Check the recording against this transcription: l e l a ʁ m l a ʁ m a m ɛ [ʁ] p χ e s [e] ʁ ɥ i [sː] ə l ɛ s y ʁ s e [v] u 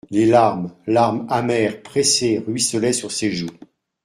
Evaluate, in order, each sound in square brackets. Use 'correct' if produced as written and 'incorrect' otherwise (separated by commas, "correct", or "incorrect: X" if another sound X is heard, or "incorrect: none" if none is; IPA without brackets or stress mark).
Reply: correct, correct, incorrect: s, incorrect: ʒ